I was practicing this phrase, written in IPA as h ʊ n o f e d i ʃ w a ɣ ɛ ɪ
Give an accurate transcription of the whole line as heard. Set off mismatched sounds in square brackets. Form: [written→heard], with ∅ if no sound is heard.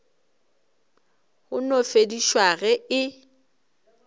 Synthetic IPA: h ʊ n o f e d i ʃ w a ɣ ɛ ɪ